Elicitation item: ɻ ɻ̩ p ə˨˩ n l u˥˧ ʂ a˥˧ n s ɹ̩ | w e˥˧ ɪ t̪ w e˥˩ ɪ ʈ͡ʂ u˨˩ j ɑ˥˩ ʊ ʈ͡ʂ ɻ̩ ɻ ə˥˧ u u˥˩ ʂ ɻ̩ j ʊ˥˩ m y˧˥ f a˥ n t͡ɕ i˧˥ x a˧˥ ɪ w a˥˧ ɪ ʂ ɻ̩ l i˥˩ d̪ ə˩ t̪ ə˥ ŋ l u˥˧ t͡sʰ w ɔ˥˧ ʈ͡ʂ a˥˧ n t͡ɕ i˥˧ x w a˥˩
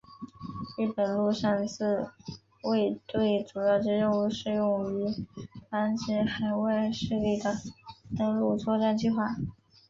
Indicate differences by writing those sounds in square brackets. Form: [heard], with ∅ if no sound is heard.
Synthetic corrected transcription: ɻ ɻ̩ p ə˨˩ n l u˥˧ ʂ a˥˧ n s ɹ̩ | w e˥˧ ɪ t̪ w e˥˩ ɪ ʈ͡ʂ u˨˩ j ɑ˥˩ ʊ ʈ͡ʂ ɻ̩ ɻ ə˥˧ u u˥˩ ʂ ɻ̩ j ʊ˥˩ [ŋ] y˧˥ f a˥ n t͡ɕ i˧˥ x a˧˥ ɪ w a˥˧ ɪ ʂ ɻ̩ l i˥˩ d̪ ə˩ t̪ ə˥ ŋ l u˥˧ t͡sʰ w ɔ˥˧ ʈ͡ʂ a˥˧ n t͡ɕ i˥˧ x w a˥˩